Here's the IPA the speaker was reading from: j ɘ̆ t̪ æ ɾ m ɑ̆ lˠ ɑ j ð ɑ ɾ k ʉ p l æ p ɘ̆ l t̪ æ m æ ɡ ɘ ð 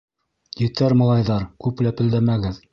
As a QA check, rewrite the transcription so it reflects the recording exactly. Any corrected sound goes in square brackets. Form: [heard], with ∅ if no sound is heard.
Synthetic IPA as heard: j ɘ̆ t̪ æ ɾ m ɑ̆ lˠ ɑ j ð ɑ ɾ k ʉ p l æ p ɘ̆ l [d̪] æ m æ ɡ ɘ ð